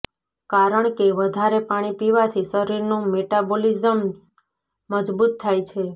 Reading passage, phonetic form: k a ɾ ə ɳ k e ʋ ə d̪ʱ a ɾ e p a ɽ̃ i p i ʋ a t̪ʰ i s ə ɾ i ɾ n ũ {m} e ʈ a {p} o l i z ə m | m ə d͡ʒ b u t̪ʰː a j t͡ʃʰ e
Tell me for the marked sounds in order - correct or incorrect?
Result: correct, incorrect: b

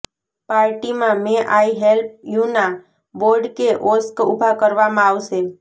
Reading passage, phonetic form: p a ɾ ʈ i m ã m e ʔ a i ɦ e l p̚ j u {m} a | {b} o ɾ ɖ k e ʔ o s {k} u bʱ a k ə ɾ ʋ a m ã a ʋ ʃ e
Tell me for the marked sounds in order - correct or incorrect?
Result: incorrect: n, correct, correct

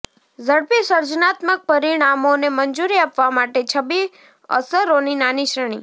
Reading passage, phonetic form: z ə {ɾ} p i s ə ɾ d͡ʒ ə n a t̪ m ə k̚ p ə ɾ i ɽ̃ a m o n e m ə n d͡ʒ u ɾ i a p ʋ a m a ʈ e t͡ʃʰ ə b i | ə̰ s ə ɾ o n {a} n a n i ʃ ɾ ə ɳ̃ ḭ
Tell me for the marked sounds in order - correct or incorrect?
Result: incorrect: ɽ, incorrect: i

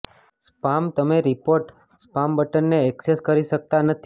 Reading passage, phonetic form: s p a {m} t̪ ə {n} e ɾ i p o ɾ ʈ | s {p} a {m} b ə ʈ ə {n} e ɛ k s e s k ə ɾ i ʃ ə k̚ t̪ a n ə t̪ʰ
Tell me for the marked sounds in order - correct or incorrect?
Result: correct, incorrect: m, correct, correct, incorrect: nː

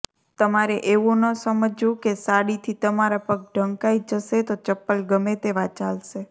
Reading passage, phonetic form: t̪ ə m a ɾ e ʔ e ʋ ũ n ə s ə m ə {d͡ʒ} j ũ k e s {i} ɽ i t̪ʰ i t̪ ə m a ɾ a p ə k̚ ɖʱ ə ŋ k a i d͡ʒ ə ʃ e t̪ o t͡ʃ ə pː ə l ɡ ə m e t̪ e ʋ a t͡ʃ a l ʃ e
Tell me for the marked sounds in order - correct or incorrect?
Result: correct, incorrect: a

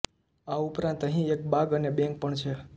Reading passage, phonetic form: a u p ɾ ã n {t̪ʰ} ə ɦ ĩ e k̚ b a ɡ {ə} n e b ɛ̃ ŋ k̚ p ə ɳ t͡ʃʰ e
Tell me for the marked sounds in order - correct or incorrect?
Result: incorrect: t̪, correct

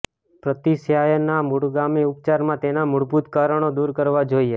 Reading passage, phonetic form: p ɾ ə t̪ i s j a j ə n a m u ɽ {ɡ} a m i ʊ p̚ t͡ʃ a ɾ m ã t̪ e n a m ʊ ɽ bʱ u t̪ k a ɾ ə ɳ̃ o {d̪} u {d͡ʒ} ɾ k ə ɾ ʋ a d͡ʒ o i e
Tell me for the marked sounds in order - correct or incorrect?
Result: correct, correct, incorrect: none

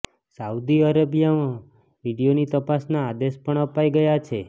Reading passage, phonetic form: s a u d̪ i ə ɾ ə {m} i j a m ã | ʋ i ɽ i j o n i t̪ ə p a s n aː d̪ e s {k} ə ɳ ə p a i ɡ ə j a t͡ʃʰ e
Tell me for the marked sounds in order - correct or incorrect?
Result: incorrect: b, incorrect: p

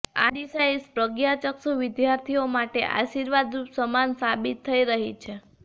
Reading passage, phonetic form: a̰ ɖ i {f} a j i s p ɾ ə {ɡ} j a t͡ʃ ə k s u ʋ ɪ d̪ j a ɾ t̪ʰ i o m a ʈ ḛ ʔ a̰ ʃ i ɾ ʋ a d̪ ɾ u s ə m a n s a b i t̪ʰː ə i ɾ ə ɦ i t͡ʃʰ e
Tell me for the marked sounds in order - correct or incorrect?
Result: incorrect: s, correct

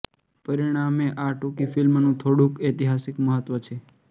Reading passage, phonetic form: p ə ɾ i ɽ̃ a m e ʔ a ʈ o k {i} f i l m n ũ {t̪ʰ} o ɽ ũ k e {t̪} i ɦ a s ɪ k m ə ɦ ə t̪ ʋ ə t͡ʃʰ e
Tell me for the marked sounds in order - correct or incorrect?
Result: correct, correct, correct

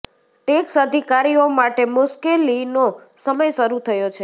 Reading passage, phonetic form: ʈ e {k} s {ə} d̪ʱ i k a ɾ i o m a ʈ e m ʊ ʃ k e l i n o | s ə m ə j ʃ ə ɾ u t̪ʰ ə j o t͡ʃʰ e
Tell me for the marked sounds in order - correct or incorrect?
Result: correct, correct

